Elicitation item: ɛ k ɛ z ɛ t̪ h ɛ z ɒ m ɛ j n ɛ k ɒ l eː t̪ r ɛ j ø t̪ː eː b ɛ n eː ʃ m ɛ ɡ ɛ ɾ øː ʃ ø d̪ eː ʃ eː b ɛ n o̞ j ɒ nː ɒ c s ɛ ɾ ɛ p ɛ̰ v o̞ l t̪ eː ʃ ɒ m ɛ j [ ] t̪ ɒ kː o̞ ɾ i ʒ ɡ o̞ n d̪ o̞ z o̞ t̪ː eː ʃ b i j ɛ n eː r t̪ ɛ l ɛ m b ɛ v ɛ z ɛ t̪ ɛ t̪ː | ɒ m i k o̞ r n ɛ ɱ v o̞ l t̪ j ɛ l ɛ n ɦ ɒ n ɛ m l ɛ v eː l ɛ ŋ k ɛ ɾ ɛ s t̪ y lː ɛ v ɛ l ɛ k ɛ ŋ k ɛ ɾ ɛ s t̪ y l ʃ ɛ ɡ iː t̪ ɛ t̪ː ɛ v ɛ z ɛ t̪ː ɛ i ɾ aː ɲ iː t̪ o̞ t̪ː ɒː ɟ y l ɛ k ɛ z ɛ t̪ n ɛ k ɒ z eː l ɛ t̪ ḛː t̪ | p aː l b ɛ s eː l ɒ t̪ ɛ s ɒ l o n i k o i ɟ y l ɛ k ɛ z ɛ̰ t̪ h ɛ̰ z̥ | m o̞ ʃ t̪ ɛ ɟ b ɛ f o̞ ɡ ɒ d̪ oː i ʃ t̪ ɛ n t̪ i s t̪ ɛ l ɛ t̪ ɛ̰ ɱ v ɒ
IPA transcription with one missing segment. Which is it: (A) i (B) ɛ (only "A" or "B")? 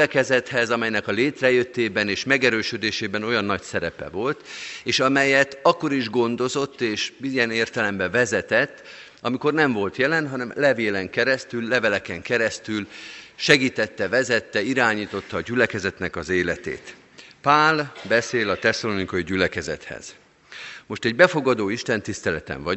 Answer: B